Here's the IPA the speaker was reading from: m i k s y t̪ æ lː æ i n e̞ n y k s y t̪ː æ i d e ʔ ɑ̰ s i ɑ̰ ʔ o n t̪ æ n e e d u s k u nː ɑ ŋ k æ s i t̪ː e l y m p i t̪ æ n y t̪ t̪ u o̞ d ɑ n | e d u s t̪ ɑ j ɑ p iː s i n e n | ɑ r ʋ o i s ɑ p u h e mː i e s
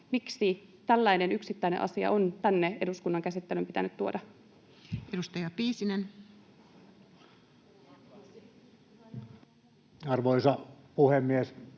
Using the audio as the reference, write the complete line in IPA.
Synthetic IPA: m i k s i t̪ æ lː æ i n e̞ n y k s i t̪ː æ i n e ʔ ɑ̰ s i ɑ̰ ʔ o n t̪ æ nː e e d u s k u nː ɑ ŋ k æ s i t̪ː e l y m p i t̪ æ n y t̪ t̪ u o̞ d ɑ | e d u s t̪ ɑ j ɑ p iː s i n e n | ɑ r ʋ o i s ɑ p u h e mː i e s